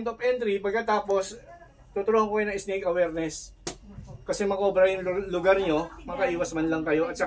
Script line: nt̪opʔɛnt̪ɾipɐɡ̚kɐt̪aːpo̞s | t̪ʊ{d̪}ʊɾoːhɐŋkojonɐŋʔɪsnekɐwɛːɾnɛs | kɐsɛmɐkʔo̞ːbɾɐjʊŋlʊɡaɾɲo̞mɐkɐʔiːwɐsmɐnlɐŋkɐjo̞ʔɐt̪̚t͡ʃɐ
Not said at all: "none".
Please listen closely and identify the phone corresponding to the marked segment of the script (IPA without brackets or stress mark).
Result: t̪